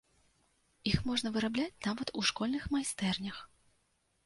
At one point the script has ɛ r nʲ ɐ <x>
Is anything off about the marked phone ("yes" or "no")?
no